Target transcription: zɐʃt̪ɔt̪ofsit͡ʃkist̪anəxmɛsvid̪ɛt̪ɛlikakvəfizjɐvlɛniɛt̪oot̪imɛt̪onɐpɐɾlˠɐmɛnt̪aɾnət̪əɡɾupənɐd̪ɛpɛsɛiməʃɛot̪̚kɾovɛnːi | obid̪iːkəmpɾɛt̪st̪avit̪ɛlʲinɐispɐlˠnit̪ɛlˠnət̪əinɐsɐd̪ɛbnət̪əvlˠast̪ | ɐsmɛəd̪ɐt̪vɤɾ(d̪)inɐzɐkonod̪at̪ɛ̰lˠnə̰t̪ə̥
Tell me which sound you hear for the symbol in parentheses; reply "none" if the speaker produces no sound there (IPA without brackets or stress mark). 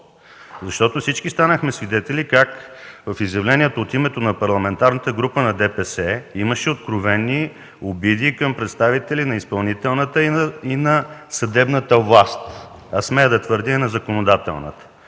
d̪